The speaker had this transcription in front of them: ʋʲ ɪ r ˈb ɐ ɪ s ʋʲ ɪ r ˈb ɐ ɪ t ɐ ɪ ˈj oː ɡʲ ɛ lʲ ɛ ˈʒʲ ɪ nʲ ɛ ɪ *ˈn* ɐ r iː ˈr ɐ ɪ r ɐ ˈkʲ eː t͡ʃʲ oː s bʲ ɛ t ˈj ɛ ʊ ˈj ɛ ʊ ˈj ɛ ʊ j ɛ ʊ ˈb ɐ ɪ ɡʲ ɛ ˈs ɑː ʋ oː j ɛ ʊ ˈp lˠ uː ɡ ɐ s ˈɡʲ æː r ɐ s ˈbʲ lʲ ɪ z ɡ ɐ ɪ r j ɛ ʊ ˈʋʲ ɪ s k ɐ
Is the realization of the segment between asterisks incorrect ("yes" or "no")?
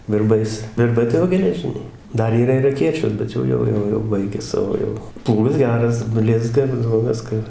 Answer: yes